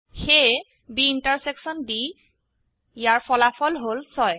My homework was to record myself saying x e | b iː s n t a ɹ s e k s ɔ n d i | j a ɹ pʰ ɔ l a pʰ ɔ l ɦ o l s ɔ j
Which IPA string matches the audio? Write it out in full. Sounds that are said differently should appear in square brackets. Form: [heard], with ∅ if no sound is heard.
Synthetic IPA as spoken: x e | b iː [∅] n t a ɹ s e k s ɔ n d i | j a ɹ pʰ ɔ l a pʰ ɔ l ɦ o l s ɔ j